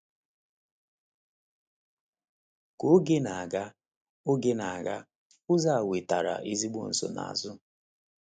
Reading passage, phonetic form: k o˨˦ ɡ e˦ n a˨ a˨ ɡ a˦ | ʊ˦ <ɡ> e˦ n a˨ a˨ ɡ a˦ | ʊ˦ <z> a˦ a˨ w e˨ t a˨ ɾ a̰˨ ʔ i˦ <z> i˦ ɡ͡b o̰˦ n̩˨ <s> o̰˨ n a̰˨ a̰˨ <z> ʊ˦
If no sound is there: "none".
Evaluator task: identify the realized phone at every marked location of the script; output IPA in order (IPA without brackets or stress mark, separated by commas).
ɡ, z, z, s, z